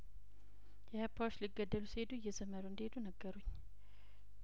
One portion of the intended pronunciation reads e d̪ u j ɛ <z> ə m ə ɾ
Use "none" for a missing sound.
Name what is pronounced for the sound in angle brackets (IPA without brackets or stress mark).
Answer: z